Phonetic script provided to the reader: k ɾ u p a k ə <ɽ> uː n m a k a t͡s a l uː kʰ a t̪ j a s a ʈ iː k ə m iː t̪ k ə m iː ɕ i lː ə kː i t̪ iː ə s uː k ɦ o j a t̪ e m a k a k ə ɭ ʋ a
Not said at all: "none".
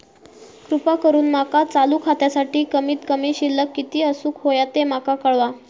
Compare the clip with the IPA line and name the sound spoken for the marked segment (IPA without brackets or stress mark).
ɾ